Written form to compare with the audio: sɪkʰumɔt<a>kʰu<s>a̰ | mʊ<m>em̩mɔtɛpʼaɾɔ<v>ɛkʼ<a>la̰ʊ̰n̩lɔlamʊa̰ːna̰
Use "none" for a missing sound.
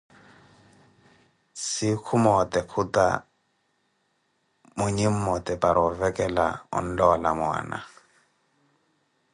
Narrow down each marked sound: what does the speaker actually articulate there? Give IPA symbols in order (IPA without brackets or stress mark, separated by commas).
ɛ, t, ɲ, v, ɛ